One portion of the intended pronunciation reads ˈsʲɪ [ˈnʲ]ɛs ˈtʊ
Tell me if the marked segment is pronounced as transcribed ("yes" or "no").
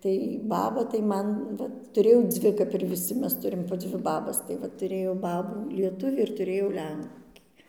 no